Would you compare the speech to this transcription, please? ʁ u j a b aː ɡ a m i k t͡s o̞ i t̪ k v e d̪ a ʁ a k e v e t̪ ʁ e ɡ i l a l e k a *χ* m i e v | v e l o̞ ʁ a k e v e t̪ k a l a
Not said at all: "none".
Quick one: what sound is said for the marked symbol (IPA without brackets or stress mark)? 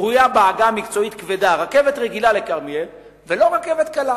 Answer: ʁ